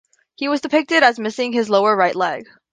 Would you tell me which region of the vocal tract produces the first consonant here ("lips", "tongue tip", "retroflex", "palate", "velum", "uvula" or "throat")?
throat